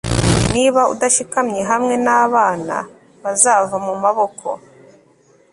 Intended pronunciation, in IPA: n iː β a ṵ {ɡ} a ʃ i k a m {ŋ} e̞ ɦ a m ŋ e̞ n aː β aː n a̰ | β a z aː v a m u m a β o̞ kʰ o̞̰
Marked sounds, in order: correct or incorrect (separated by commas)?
incorrect, incorrect